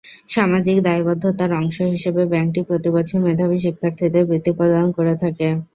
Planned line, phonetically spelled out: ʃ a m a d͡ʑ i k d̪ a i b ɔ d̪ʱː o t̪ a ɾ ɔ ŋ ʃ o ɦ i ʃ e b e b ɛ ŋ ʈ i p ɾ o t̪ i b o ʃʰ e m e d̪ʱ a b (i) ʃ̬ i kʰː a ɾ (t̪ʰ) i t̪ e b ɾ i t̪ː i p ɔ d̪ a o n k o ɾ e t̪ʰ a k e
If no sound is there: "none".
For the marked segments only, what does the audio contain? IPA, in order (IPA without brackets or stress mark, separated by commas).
i, t̪ʰ